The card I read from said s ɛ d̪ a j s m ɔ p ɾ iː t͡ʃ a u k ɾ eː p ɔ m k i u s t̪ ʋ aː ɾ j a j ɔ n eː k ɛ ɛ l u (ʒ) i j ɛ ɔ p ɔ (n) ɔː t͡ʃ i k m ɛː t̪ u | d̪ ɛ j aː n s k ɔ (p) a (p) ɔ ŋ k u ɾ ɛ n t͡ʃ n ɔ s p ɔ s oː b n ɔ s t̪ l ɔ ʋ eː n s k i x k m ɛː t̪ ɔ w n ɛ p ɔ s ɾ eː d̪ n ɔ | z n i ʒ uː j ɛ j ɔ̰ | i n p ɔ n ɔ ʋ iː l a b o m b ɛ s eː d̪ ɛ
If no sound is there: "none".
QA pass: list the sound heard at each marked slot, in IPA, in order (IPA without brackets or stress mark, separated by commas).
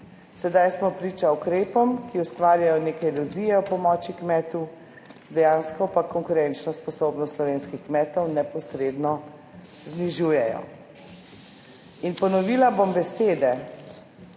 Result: z, m, p, k